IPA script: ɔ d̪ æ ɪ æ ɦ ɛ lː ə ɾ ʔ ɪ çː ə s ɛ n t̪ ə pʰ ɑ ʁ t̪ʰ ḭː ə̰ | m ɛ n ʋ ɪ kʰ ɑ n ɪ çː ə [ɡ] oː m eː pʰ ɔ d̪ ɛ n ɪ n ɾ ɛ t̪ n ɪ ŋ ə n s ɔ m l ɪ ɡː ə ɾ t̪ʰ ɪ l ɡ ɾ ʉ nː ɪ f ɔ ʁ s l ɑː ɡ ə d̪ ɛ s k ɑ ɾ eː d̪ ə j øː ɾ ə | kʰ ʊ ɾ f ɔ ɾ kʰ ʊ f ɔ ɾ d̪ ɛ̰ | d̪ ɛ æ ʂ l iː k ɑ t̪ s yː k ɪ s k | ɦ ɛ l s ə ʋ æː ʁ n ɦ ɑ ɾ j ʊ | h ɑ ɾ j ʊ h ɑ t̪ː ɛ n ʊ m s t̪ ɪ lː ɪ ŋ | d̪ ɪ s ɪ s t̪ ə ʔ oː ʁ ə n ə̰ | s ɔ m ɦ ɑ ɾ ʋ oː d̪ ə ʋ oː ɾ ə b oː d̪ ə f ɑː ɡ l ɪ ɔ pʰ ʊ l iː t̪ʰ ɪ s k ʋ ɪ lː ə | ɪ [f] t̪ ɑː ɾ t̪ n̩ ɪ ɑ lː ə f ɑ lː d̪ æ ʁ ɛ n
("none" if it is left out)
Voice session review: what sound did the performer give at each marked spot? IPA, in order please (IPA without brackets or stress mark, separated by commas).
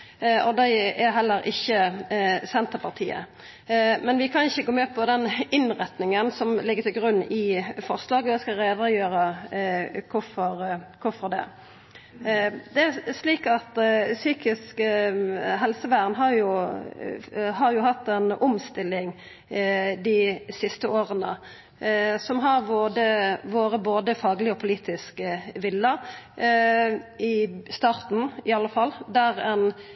ɡ, s